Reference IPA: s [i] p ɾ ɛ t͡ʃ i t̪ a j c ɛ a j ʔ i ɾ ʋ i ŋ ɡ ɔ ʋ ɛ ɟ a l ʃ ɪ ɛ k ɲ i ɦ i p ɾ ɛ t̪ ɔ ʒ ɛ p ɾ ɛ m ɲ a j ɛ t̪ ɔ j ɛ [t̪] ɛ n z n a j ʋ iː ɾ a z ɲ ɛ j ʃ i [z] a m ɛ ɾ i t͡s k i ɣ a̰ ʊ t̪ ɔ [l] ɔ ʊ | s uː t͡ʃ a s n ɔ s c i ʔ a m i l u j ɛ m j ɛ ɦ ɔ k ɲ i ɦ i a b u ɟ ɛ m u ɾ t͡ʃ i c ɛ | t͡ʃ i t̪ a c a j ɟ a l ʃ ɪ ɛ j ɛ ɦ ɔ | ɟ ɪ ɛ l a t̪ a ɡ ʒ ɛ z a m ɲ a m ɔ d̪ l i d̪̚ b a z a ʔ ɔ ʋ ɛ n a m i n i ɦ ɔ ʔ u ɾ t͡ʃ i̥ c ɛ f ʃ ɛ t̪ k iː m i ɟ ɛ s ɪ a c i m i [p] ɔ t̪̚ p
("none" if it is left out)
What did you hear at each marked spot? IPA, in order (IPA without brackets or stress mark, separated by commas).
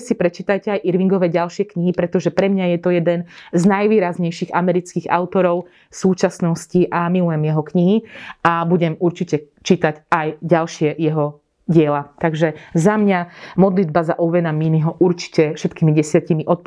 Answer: i, d̪, ɣ, ɾ, ʔ